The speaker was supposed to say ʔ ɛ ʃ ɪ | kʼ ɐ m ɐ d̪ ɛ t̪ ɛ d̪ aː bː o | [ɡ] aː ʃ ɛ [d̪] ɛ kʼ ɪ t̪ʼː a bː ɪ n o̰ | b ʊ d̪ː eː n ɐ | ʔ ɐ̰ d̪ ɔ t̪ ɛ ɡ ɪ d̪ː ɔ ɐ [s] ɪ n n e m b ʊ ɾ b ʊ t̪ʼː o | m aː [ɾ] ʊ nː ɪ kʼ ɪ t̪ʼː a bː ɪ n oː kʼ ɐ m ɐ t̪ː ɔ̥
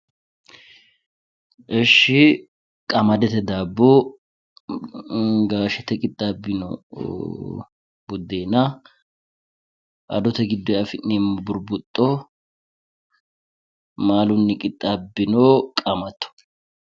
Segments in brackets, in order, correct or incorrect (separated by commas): correct, incorrect, incorrect, incorrect